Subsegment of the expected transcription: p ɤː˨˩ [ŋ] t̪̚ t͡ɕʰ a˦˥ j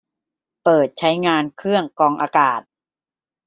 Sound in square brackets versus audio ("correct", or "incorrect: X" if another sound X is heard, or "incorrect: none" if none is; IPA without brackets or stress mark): incorrect: none